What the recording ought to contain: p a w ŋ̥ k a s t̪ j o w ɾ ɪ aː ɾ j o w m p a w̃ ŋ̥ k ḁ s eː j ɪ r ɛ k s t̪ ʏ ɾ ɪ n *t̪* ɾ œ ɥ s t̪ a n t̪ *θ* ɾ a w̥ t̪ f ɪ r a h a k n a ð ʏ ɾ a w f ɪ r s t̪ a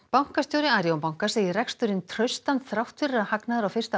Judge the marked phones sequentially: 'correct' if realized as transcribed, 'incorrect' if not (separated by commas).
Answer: incorrect, correct